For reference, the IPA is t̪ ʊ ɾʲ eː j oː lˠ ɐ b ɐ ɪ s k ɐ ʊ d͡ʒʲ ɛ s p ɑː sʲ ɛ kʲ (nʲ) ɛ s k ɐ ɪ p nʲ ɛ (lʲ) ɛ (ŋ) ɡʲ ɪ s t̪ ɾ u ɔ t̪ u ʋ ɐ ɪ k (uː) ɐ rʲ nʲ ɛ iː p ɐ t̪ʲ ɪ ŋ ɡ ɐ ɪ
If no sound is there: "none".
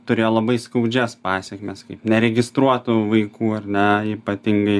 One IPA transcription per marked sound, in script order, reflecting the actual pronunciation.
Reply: mʲ, ɾʲ, none, uː

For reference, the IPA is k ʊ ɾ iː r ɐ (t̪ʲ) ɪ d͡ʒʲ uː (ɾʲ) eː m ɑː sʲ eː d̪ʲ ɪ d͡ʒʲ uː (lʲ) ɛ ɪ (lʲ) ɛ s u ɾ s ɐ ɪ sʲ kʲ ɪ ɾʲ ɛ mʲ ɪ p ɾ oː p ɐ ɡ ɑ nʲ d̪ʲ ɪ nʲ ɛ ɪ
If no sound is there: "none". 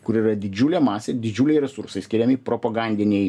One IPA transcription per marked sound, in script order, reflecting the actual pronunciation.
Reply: d̪ʲ, lʲ, lʲ, ɾʲ

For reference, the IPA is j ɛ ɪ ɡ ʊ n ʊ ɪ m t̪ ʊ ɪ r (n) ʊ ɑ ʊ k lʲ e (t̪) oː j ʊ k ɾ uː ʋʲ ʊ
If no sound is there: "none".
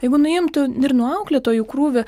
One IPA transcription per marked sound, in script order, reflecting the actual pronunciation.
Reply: n, t̪

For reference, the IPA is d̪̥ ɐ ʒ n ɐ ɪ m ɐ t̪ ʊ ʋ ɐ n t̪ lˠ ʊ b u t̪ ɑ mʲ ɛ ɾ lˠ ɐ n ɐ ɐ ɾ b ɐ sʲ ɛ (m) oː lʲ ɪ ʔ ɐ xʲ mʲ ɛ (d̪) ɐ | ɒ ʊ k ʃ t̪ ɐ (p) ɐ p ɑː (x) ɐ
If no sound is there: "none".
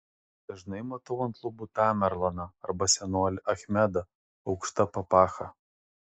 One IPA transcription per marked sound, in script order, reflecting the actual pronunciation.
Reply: n, d̪, p, x

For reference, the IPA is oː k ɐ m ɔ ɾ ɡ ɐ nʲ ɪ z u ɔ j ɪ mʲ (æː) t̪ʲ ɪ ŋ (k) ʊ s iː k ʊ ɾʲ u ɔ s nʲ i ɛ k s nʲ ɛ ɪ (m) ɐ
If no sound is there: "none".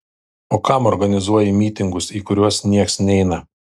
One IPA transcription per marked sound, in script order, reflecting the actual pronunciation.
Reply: iː, ɡ, n

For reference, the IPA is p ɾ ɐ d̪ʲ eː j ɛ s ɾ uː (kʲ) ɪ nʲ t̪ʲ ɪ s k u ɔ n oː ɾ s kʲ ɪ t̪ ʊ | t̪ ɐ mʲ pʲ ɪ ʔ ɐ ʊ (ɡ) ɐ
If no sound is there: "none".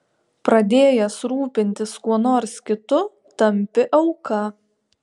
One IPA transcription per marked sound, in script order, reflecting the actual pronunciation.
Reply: pʲ, k

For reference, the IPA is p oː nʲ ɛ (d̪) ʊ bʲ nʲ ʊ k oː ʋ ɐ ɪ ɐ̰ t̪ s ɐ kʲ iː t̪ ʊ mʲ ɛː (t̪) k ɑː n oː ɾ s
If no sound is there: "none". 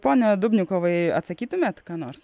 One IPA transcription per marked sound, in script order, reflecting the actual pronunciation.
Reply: d̪, t̪

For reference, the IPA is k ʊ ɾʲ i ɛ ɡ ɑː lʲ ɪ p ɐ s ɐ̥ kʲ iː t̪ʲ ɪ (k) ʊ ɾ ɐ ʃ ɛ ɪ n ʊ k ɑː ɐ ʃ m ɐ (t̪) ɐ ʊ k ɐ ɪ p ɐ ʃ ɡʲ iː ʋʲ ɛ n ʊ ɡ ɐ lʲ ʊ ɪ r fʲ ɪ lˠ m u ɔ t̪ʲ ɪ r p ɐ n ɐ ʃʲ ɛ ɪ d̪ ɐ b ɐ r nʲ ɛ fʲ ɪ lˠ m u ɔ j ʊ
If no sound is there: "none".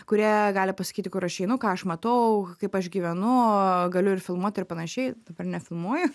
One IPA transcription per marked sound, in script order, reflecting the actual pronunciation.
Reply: k, t̪

